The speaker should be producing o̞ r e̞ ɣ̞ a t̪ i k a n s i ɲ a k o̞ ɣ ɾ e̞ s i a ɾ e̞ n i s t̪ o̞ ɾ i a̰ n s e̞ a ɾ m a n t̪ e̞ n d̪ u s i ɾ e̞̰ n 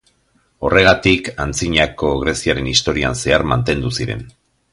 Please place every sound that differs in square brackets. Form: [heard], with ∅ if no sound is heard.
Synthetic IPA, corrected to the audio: o̞ r e̞ ɣ̞ a t̪ i k a n [t͡s] i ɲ a k o̞ ɣ ɾ e̞ s i a ɾ e̞ n i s t̪ o̞ ɾ i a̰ n s e̞ a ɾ m a n t̪ e̞ n d̪ u s i ɾ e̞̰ n

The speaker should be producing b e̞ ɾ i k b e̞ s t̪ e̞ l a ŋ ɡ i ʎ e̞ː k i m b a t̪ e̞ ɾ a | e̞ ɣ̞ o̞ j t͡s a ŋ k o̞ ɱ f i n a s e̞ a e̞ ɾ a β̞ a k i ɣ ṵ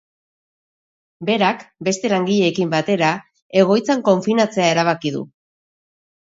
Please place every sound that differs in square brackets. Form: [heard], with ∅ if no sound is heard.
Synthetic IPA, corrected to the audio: b e̞ ɾ [a] k b e̞ s t̪ e̞ l a ŋ ɡ i ʎ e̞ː k i m b a t̪ e̞ ɾ a | e̞ ɣ̞ o̞ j t͡s a ŋ k o̞ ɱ f i n a [t͡s] e̞ a e̞ ɾ a β̞ a k i [ð] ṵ

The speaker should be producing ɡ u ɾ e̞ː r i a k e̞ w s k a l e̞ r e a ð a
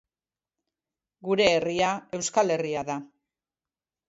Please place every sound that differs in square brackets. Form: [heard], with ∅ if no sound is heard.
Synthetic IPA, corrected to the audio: ɡ u ɾ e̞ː r i a [∅] e̞ w s k a l e̞ r [i] a ð a

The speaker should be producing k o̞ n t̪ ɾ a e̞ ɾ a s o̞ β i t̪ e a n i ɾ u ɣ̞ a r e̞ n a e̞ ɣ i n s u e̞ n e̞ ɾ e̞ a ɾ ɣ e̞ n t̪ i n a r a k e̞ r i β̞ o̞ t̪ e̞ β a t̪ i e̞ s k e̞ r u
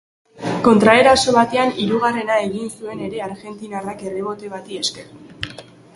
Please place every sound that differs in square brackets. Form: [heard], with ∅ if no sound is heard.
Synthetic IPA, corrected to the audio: k o̞ n t̪ ɾ a e̞ ɾ a s o̞ β [a] t̪ e a n i ɾ u ɣ̞ a r e̞ n a e̞ ɣ i n s u e̞ n e̞ ɾ e̞ a ɾ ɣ e̞ n t̪ i n a r a k e̞ r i β̞ o̞ t̪ e̞ β a t̪ i e̞ s k e̞ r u

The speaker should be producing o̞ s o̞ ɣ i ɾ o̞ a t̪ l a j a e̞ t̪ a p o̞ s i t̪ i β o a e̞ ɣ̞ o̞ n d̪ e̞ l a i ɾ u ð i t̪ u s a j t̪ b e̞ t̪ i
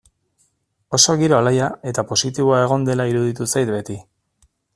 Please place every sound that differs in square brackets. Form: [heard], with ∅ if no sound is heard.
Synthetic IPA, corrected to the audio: o̞ s o̞ ɣ i ɾ o̞ a [∅] l a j a e̞ t̪ a p o̞ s i t̪ i β o a e̞ ɣ̞ o̞ n d̪ e̞ l a i ɾ u ð i t̪ u s a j t̪ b e̞ t̪ i

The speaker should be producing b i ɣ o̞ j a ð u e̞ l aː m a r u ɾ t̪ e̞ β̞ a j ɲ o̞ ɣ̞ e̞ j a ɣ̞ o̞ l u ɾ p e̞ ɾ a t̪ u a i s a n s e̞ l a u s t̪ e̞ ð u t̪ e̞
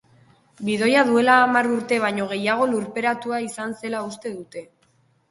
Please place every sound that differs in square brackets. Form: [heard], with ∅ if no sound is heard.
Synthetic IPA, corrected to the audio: b i [ð] o̞ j a ð u e̞ l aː m a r u ɾ t̪ e̞ β̞ a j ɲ o̞ ɣ̞ e̞ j a ɣ̞ o̞ l u ɾ p e̞ ɾ a t̪ u a i s a n s e̞ l a u s t̪ e̞ ð u t̪ e̞

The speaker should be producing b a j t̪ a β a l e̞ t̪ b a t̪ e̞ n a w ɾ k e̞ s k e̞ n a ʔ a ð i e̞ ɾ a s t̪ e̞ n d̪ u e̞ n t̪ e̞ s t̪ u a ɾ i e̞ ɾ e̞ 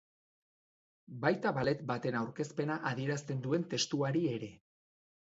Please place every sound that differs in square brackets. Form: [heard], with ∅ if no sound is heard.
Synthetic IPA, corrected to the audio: b a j t̪ a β a l e̞ t̪ b a t̪ e̞ n a w ɾ k e̞ s [p] e̞ n a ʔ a ð i e̞ ɾ a s t̪ e̞ n d̪ u e̞ n t̪ e̞ s t̪ u a ɾ i e̞ ɾ e̞

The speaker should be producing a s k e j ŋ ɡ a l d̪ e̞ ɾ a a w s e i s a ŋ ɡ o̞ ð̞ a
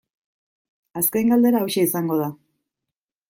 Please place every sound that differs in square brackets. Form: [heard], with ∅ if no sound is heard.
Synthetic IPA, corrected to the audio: a s k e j ŋ ɡ a l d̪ e̞ ɾ a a w [ʃ] e i s a ŋ ɡ o̞ ð̞ a

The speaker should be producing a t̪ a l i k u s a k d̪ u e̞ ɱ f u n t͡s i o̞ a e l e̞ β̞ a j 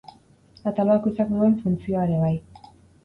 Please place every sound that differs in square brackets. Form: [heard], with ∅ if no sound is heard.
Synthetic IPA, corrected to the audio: a t̪ a l [a] k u s a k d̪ u e̞ ɱ f u n t͡s i o̞ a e [ɾ] e̞ β̞ a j

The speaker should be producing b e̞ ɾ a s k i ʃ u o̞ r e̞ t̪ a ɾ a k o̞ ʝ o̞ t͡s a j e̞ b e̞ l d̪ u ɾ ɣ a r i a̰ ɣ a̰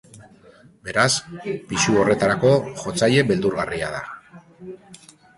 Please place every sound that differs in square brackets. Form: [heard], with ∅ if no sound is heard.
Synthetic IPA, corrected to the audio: b e̞ ɾ a s [p] i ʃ u o̞ r e̞ t̪ a ɾ a k o̞ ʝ o̞ t͡s a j e̞ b e̞ l d̪ u ɾ ɣ a r i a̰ [ð] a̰

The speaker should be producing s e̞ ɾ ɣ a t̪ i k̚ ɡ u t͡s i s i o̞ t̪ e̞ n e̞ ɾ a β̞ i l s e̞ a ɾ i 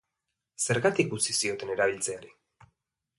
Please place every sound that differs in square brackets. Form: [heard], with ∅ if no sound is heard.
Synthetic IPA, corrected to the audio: s e̞ ɾ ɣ a t̪ i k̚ ɡ u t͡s i s i o̞ t̪ e̞ n e̞ ɾ a β̞ i l [t͡s] e̞ a ɾ i

